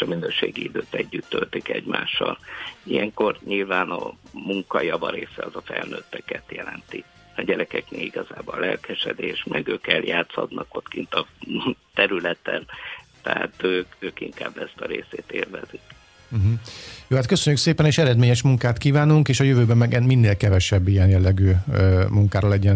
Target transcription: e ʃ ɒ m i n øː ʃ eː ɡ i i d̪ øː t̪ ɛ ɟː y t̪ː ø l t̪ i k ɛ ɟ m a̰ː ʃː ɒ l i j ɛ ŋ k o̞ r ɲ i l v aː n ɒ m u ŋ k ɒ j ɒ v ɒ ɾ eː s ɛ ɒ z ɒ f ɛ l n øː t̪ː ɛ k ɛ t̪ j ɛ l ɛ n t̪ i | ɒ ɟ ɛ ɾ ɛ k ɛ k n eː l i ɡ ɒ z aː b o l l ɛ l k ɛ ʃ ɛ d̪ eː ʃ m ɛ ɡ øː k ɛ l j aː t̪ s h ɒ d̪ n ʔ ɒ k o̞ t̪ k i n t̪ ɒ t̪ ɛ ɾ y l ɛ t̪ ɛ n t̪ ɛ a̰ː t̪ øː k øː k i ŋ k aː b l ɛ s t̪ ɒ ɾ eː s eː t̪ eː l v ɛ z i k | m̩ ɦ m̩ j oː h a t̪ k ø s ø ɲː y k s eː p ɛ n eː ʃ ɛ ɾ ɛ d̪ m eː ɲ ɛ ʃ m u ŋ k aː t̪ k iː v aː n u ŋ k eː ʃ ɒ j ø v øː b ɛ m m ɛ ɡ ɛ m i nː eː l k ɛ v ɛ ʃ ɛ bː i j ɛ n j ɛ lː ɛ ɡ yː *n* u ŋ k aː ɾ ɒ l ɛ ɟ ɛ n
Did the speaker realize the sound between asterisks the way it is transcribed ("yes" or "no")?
no